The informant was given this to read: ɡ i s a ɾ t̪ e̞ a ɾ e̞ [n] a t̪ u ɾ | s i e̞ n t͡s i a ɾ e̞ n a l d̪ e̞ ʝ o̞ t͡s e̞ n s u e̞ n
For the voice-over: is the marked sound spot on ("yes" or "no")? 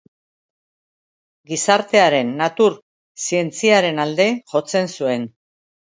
no